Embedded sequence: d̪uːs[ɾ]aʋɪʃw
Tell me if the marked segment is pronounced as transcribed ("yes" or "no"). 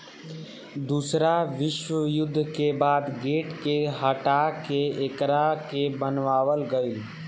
yes